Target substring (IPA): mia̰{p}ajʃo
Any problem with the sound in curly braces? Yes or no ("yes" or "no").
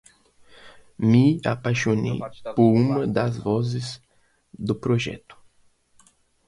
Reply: no